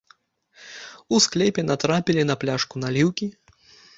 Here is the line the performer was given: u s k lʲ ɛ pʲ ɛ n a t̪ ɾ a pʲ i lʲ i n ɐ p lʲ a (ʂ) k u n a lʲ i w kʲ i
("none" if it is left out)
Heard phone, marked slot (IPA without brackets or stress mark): ʂ